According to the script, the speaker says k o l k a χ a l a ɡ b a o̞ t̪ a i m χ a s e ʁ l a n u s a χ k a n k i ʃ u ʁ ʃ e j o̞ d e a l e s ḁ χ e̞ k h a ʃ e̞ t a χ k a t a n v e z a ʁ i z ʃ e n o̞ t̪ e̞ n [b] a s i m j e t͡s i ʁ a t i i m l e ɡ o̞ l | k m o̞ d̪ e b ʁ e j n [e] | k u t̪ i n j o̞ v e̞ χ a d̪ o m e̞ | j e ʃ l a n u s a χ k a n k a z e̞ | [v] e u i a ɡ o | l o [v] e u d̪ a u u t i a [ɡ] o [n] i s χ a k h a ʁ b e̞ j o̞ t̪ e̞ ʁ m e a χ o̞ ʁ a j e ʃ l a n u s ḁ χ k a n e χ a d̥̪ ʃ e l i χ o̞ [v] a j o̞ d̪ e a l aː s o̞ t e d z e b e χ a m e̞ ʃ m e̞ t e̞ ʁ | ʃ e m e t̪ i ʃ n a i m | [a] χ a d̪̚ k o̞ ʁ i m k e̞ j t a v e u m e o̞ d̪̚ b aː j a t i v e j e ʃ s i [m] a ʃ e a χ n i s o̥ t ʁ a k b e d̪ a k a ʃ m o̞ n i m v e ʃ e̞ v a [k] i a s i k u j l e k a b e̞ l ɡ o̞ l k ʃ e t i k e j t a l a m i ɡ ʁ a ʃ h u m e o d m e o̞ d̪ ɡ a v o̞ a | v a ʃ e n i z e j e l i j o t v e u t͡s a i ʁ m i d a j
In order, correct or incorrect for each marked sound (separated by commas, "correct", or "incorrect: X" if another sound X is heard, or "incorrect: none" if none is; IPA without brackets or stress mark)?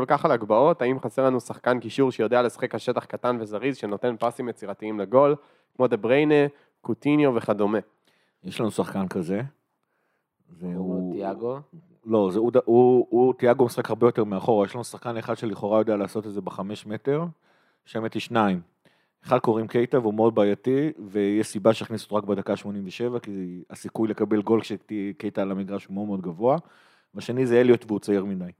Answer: incorrect: p, correct, incorrect: z, incorrect: z, correct, incorrect: m, incorrect: ʁ, incorrect: e, incorrect: b, correct